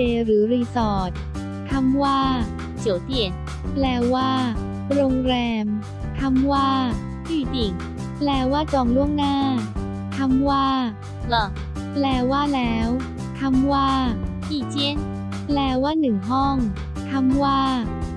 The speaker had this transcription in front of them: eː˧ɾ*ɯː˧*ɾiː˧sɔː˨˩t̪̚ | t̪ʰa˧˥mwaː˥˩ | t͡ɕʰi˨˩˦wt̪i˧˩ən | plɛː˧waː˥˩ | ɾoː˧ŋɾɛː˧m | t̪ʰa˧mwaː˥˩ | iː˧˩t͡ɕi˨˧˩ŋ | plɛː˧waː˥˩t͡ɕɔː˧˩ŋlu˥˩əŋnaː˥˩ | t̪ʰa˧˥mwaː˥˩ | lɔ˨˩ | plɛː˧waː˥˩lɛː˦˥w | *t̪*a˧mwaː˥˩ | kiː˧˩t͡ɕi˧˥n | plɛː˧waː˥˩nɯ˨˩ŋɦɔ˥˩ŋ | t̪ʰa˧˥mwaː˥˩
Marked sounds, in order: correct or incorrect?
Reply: incorrect, incorrect

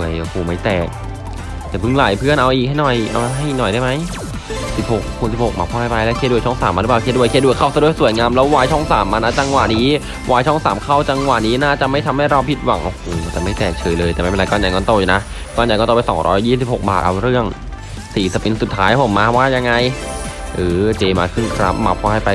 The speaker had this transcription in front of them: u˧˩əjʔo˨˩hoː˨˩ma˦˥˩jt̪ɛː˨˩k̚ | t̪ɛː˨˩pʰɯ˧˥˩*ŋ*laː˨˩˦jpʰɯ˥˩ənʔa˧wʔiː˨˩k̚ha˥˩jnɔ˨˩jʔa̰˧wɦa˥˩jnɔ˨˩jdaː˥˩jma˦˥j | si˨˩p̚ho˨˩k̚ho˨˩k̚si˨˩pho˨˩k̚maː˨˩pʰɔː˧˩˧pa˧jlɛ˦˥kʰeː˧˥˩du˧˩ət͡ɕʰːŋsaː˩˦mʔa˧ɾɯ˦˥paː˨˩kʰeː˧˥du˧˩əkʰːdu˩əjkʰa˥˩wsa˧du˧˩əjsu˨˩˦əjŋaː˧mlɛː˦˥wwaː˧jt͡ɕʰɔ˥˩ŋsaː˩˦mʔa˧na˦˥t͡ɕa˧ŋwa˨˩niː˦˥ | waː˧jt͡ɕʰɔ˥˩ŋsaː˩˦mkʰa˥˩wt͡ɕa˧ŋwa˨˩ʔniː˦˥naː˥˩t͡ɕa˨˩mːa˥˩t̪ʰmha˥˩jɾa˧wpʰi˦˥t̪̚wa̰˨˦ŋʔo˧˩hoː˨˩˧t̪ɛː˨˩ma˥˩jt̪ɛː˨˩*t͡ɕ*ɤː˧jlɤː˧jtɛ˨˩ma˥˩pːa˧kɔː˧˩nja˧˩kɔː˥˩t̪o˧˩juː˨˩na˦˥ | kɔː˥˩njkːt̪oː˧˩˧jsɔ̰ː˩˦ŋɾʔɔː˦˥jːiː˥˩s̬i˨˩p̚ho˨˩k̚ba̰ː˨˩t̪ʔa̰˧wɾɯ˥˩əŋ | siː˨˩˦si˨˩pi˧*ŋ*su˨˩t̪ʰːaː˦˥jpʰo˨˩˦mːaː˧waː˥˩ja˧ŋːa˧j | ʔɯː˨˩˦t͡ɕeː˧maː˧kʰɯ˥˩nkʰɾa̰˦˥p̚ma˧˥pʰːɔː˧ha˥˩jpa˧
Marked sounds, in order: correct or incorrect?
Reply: correct, incorrect, incorrect

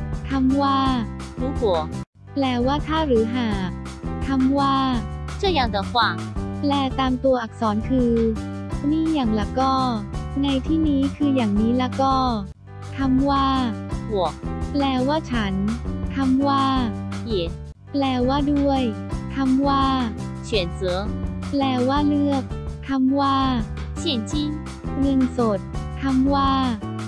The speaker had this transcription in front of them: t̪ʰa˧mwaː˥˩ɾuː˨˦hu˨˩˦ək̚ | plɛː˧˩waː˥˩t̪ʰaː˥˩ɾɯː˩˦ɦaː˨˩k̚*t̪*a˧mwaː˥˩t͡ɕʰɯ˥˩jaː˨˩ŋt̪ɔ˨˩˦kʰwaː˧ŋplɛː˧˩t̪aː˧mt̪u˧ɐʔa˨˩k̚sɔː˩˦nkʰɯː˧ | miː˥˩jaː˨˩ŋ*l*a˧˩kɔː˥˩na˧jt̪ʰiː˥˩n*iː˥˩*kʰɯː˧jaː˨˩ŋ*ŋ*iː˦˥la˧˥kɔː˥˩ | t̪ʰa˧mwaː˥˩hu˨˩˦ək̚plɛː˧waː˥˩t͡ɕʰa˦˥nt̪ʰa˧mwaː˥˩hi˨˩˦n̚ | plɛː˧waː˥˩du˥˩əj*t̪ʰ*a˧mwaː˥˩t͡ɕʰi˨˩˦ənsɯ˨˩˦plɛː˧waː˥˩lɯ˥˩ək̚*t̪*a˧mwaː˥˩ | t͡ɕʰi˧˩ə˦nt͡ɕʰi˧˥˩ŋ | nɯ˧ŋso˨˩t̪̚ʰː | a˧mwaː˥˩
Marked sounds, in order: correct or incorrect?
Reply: incorrect, correct, incorrect, incorrect, correct, incorrect

